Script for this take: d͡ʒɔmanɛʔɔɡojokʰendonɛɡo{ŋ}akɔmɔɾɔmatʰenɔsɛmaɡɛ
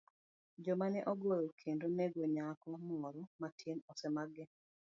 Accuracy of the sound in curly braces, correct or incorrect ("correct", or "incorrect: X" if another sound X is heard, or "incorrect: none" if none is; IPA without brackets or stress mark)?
incorrect: ɲ